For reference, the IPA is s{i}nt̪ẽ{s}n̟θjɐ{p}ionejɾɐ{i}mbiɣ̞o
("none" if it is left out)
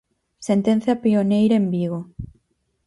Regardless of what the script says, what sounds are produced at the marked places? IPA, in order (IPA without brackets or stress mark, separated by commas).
e, none, p, e